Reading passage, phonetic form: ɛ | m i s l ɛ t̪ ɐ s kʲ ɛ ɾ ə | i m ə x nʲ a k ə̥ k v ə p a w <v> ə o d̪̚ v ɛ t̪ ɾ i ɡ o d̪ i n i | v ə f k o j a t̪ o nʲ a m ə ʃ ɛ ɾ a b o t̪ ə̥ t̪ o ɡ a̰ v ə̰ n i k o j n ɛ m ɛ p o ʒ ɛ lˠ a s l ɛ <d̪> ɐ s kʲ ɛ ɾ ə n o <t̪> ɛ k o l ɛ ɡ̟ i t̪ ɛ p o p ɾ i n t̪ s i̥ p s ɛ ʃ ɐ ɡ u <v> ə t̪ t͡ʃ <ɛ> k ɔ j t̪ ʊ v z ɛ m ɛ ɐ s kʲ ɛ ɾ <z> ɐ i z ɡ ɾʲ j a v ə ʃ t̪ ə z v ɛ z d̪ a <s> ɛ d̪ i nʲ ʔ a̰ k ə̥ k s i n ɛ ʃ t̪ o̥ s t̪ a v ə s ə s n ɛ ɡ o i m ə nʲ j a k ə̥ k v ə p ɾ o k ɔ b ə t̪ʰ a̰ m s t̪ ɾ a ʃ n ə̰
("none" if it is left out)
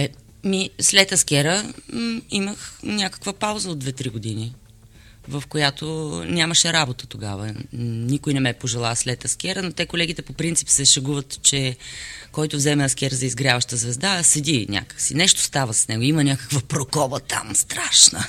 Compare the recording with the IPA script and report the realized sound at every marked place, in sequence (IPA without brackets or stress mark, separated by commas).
z, t̪, t̪, v, ɛ, z, s